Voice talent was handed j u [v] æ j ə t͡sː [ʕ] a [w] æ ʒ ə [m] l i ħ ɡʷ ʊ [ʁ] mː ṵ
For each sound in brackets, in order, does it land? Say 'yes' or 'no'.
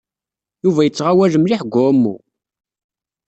yes, no, yes, yes, no

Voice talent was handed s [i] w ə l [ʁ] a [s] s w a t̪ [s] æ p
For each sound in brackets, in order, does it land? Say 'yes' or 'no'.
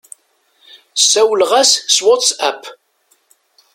no, yes, yes, yes

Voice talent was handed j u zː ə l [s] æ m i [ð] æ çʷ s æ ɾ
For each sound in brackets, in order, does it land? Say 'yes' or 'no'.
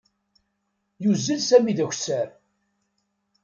yes, yes

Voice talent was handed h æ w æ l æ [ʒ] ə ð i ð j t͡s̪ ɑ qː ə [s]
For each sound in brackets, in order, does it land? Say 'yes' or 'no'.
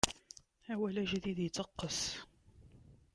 yes, yes

